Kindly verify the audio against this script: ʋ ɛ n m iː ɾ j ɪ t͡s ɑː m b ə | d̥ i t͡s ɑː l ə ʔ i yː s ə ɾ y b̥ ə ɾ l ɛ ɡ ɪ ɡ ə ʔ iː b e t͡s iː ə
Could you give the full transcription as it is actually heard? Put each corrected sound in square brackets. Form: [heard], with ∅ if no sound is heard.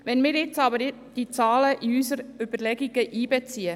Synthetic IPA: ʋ ɛ n m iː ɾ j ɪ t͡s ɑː [∅] b ə | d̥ i t͡s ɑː l ə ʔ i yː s ə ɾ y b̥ ə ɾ l ɛ ɡ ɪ ɡ ə ʔ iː b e t͡s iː ə